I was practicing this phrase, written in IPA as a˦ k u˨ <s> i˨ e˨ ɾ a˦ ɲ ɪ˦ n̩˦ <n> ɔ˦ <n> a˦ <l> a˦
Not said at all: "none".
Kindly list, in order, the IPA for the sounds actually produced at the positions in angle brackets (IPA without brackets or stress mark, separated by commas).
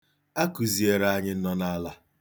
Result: z, n, n, l